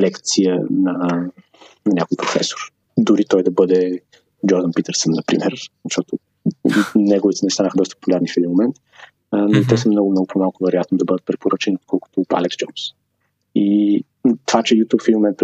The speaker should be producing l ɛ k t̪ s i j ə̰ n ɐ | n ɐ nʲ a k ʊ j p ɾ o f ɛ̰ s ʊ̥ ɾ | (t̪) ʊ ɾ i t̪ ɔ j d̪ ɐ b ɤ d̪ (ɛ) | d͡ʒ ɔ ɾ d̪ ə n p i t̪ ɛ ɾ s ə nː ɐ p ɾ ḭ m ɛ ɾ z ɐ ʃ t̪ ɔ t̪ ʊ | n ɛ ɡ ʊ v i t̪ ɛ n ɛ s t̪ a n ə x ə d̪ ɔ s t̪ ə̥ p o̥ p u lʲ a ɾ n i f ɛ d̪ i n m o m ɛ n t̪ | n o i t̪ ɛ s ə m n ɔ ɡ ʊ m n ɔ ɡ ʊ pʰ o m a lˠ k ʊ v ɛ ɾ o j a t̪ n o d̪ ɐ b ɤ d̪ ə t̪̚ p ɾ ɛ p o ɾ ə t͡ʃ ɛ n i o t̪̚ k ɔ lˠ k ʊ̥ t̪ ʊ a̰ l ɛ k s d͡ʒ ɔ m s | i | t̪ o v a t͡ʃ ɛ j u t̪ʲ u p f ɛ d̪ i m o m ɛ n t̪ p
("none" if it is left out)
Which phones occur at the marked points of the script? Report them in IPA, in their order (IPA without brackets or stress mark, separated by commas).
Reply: d̪, ɛ